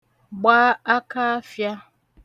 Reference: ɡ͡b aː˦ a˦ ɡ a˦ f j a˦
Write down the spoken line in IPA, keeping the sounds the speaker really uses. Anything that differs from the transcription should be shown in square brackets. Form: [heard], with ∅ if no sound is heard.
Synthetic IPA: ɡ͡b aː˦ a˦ [k] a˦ f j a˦